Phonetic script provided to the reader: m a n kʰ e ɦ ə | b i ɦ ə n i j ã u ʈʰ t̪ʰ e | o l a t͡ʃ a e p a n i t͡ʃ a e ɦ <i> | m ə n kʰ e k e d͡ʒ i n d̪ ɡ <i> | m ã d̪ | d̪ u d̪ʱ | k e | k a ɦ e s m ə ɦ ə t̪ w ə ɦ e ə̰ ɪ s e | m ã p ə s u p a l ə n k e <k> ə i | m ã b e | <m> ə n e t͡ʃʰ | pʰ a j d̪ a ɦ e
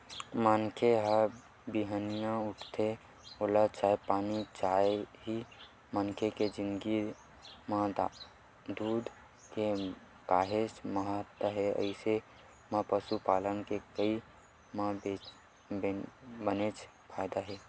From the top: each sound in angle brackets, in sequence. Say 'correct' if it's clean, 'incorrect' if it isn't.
correct, correct, correct, incorrect: b

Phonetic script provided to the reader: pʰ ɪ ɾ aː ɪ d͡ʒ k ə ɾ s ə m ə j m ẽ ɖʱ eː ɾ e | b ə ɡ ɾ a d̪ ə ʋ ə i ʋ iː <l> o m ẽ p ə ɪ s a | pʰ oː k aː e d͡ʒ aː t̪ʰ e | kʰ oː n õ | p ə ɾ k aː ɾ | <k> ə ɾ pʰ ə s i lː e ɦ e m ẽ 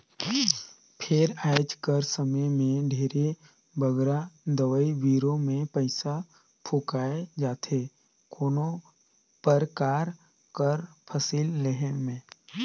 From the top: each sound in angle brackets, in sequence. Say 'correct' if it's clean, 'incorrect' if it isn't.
incorrect: ɾ, correct

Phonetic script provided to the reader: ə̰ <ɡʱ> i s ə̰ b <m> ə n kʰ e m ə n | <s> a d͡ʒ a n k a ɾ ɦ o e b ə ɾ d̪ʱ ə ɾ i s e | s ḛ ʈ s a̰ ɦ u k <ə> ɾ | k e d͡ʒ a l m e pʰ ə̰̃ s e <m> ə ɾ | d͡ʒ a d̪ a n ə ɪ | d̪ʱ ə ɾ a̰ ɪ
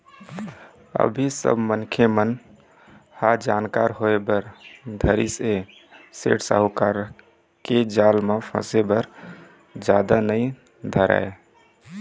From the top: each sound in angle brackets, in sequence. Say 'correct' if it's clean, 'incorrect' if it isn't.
incorrect: bʱ, correct, incorrect: h, incorrect: a, incorrect: b

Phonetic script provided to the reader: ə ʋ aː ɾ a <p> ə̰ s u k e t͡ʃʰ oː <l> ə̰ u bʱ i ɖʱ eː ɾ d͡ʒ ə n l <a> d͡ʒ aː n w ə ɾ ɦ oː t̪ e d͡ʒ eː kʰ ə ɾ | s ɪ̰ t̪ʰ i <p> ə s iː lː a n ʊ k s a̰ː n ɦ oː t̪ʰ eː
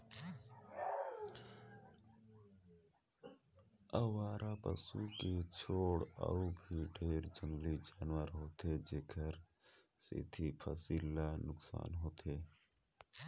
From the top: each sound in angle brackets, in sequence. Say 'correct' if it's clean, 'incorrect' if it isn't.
correct, incorrect: ɽ, incorrect: i, incorrect: pʰ

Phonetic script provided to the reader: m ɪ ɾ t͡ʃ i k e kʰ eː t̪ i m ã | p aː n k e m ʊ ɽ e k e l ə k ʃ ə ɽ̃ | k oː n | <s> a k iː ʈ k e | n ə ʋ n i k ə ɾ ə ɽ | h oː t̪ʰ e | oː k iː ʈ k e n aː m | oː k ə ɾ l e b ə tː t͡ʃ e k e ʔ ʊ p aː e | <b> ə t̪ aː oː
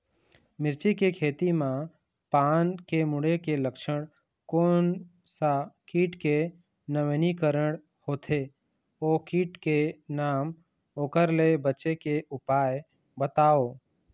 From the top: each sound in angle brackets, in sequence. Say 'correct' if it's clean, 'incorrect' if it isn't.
correct, correct

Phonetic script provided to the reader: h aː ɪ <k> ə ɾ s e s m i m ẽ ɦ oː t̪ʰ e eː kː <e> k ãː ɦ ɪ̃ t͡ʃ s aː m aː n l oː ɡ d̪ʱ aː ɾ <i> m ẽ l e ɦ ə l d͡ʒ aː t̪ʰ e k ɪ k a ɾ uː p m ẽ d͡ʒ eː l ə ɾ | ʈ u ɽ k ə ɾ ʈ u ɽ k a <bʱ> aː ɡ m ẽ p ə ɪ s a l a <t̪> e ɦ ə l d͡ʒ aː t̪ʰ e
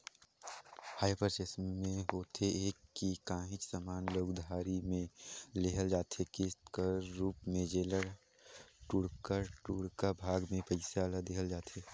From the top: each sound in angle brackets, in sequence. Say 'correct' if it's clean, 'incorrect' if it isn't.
incorrect: p, incorrect: i, correct, correct, incorrect: d̪

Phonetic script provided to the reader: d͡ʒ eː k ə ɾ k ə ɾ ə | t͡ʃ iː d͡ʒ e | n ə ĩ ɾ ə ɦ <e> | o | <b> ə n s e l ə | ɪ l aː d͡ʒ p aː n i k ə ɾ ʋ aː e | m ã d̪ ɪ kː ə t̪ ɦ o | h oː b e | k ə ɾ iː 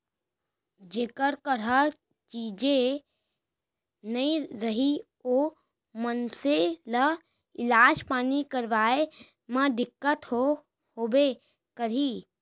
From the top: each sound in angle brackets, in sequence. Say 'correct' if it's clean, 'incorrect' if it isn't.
incorrect: i, incorrect: m

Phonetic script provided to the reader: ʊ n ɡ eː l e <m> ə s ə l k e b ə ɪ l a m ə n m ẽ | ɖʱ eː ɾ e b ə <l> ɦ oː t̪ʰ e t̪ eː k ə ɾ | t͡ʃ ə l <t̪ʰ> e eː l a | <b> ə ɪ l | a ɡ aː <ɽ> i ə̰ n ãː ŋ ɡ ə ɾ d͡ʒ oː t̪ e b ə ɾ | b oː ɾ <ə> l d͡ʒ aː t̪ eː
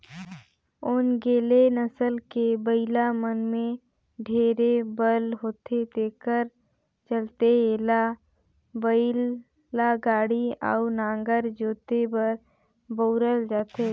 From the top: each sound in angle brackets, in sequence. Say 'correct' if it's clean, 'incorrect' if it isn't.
incorrect: n, correct, incorrect: t̪, correct, correct, correct

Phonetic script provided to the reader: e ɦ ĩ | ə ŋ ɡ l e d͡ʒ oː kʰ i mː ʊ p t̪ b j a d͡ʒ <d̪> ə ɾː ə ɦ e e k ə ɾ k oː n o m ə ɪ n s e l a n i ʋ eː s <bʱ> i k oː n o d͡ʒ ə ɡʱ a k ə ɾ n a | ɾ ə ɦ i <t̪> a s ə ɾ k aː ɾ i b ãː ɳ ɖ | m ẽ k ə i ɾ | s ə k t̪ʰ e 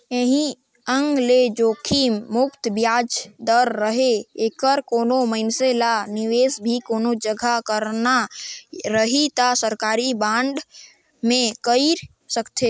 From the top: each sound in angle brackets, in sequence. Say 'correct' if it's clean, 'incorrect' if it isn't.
correct, correct, correct

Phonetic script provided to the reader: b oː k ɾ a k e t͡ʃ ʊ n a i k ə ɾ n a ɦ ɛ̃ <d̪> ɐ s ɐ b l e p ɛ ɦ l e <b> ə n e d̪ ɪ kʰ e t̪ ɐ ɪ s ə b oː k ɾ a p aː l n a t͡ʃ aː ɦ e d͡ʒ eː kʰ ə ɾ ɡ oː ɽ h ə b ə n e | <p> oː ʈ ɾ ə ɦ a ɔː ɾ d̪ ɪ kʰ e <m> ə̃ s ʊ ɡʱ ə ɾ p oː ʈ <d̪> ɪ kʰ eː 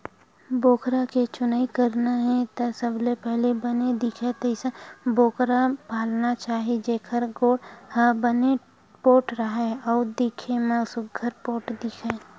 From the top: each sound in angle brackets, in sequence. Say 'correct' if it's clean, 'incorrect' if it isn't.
incorrect: t̪, correct, correct, correct, correct

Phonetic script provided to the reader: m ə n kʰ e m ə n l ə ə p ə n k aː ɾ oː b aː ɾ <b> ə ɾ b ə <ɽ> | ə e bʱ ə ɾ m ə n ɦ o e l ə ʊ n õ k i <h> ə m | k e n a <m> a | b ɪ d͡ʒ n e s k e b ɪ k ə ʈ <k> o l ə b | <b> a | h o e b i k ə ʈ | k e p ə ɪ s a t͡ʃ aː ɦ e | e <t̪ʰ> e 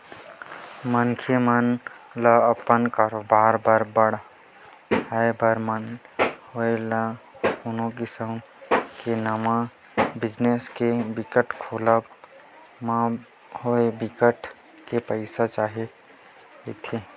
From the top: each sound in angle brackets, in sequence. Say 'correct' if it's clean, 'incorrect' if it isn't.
correct, correct, incorrect: s, correct, incorrect: kʰ, incorrect: m, correct

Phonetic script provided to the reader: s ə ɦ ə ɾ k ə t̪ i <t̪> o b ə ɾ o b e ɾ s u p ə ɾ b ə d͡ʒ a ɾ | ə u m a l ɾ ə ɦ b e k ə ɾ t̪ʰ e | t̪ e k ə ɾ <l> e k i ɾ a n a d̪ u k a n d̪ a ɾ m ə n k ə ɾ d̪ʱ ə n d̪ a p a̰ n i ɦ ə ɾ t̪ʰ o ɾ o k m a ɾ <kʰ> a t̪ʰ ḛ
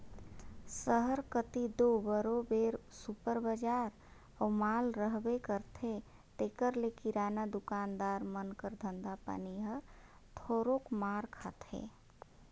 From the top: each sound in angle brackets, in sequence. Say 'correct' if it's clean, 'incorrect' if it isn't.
incorrect: d̪, correct, correct

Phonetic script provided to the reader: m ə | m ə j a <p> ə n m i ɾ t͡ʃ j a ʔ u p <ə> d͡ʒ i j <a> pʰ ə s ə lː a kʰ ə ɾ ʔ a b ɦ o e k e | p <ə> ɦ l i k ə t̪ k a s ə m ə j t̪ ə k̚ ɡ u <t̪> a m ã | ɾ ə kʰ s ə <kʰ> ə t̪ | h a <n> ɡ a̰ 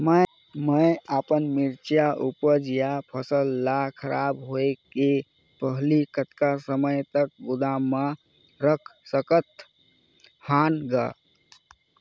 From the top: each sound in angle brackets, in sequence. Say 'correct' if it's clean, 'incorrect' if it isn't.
correct, correct, correct, correct, incorrect: d̪, incorrect: k, correct

